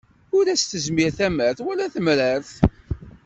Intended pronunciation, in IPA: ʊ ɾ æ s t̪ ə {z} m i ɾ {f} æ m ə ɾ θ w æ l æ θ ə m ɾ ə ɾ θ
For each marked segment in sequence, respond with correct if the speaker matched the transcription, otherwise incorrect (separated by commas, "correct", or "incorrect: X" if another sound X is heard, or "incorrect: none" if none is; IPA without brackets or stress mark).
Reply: correct, incorrect: θ